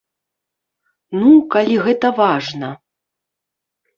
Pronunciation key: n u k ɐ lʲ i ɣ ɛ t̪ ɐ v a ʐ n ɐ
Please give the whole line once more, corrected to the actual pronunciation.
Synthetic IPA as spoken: n u k a lʲ i ɣ ɛ t̪ ɐ v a ʐ n ɐ